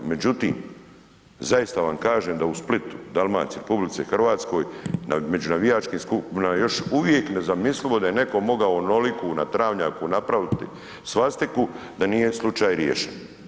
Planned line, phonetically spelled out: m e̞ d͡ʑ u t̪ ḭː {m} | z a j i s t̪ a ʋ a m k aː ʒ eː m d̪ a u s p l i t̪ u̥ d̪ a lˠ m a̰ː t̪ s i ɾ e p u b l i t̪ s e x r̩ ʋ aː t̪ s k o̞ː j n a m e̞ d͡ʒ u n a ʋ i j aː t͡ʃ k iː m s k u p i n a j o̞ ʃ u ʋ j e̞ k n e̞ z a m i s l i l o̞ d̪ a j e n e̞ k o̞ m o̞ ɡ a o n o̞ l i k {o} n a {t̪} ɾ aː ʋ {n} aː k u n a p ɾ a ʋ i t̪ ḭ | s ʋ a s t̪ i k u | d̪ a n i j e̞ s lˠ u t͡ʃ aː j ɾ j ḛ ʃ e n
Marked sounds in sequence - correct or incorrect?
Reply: correct, incorrect, correct, incorrect

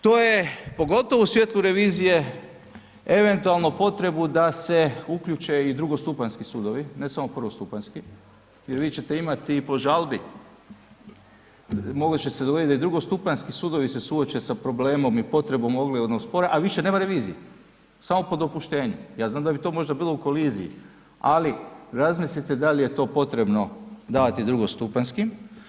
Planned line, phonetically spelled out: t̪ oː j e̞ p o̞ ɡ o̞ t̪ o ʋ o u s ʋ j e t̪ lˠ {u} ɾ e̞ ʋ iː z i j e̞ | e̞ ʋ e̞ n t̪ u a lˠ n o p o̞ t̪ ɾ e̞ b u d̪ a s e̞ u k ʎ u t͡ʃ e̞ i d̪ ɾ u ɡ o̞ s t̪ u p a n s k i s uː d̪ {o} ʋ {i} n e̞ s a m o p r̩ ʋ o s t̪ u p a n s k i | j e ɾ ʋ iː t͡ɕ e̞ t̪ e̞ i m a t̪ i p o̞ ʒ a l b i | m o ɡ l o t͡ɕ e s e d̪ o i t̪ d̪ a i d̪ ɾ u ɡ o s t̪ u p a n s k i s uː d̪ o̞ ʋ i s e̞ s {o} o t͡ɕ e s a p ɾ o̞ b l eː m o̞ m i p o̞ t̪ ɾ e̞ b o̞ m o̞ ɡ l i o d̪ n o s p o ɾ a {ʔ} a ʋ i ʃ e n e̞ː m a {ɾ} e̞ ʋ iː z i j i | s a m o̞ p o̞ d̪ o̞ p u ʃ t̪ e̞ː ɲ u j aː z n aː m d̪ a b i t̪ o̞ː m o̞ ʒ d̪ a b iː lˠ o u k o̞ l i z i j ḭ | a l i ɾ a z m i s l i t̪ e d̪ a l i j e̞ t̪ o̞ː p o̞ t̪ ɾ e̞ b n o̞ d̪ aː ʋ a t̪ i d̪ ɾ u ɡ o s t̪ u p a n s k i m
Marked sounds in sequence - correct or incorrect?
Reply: correct, correct, correct, incorrect, correct, correct

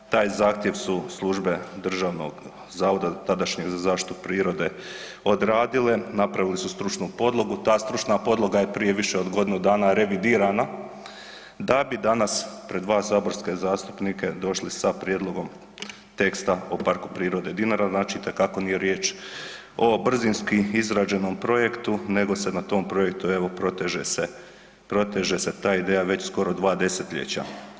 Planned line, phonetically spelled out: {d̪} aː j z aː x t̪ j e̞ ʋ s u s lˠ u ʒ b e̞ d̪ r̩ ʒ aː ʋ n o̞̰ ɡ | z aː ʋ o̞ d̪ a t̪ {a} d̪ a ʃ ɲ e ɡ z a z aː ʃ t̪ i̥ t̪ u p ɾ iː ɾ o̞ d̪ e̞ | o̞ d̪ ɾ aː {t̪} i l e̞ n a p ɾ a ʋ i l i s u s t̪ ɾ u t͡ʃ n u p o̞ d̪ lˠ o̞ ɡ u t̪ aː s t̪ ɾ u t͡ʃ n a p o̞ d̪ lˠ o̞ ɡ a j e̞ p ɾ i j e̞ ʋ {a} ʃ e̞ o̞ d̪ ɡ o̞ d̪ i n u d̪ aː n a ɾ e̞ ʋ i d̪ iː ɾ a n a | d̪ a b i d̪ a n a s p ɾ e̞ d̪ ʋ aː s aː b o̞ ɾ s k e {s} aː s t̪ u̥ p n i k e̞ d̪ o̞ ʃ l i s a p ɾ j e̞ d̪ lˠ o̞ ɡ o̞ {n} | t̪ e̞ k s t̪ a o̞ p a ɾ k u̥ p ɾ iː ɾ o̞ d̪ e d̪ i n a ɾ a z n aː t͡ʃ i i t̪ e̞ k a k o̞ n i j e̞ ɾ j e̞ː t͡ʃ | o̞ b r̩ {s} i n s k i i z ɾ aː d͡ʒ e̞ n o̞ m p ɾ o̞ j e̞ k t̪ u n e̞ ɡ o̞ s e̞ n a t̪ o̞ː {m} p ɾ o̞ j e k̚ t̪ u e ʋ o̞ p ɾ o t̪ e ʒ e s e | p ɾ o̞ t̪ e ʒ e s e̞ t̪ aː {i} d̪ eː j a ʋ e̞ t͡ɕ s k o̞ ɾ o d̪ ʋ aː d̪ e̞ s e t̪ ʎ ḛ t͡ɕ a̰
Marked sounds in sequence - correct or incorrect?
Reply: incorrect, correct, incorrect, incorrect, incorrect, incorrect, incorrect, correct, correct

